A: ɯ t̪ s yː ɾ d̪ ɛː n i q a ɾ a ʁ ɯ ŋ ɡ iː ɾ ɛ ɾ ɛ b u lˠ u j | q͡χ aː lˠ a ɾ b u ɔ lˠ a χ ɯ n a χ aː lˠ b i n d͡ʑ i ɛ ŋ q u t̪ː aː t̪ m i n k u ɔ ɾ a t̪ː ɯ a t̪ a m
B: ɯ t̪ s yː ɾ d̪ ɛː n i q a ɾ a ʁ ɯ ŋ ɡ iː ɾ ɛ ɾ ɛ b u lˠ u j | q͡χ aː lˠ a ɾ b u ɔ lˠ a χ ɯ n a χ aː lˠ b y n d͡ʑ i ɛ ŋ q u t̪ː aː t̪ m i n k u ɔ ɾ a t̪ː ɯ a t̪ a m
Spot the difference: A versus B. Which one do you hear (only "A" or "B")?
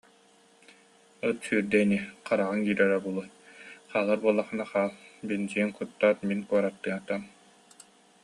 A